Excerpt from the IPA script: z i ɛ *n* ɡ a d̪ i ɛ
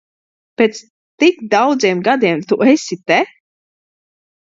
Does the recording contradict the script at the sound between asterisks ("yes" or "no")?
yes